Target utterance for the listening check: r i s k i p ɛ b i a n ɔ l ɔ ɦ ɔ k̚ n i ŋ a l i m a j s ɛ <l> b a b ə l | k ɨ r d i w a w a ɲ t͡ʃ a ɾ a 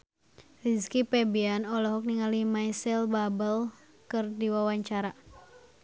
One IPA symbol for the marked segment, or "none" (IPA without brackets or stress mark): l